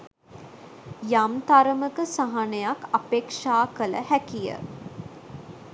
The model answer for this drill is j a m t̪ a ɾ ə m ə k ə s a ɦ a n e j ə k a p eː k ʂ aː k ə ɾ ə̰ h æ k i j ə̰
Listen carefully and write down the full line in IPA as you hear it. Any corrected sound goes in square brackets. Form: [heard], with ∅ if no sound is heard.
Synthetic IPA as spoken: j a m t̪ a ɾ ə m ə k ə s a ɦ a n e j [a] k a p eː k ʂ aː k ə [l] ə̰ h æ k i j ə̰